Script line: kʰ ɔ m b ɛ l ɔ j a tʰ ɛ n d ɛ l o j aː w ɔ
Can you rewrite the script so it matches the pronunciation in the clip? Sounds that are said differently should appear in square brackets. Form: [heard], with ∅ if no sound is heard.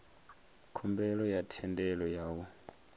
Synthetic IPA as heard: kʰ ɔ m b ɛ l ɔ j a tʰ ɛ n d ɛ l [ɔ] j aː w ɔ